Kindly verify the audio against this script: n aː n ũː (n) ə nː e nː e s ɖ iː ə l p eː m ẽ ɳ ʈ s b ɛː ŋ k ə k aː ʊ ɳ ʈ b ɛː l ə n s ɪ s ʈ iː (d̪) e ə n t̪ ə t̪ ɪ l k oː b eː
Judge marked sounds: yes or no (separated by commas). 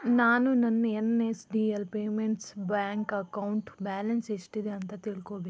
yes, yes